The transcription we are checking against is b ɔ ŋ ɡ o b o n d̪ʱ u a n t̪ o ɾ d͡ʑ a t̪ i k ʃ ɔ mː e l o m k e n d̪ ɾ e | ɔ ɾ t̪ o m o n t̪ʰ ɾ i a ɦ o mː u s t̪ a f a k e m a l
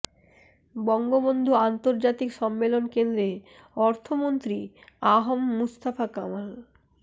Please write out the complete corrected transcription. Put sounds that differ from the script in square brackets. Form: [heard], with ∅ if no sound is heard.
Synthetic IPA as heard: b ɔ ŋ ɡ o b o n d̪ʱ u a n t̪ o ɾ d͡ʑ a t̪ i k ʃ ɔ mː e l o [n] k e n d̪ ɾ e | ɔ ɾ [t̪ʰ] o m o n [t̪] ɾ i a ɦ o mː u s t̪ a f a k [a] m a l